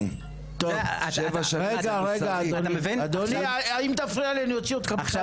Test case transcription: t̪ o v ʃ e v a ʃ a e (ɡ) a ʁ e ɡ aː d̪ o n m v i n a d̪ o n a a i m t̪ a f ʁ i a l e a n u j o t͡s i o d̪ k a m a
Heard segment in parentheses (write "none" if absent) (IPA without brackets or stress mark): ɡ